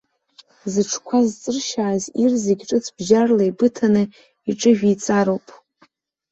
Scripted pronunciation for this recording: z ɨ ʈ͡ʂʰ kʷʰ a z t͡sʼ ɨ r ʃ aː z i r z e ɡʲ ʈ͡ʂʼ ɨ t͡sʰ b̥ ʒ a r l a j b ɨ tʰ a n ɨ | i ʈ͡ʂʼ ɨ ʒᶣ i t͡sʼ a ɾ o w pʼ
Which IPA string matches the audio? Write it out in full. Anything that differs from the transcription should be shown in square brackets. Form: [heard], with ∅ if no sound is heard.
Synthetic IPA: z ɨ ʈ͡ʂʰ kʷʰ a z t͡sʼ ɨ r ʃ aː z i r z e ɡʲ ʈ͡ʂʼ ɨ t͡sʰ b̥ ʒ a r l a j b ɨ tʰ a n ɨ | i ʈ͡ʂʼ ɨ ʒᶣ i t͡sʼ a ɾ o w pʼ